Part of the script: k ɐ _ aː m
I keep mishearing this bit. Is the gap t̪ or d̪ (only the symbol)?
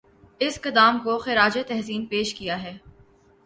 d̪